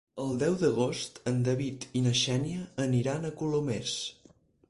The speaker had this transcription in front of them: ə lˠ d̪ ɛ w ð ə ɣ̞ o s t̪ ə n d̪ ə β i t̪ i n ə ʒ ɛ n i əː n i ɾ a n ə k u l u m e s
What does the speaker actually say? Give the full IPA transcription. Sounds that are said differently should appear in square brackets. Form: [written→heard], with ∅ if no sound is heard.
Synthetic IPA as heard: ə lˠ d̪ ɛ w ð ə ɣ̞ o s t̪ ə n d̪ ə β i t̪ i n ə [ʒ→ʃ] ɛ n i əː n i ɾ a n ə k u l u m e s